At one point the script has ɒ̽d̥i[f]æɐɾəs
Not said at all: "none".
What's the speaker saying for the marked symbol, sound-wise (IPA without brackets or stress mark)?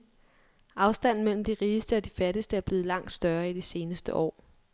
f